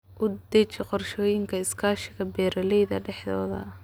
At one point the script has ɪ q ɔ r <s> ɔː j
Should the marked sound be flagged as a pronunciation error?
yes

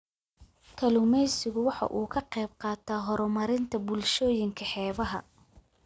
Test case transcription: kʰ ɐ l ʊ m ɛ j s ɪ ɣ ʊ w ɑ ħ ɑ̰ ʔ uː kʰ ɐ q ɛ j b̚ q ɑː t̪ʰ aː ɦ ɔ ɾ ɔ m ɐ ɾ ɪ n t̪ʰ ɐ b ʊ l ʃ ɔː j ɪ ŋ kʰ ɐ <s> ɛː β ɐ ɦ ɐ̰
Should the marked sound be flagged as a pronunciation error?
yes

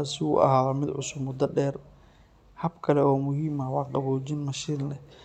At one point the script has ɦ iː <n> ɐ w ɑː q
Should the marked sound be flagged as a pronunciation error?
yes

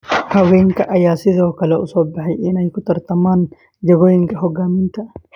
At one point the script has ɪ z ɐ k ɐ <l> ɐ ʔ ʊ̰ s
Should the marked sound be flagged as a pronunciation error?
no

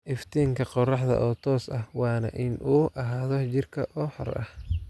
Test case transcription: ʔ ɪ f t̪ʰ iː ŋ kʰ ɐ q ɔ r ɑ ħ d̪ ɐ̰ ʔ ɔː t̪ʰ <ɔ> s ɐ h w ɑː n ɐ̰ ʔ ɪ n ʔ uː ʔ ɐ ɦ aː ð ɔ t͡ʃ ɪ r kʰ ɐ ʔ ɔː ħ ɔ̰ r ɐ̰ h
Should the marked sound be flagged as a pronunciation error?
yes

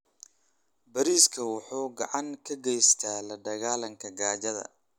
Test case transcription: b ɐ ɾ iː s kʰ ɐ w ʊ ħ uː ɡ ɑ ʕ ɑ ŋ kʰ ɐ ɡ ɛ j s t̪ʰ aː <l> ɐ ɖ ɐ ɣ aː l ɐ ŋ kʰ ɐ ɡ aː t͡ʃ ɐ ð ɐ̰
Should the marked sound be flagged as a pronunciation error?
no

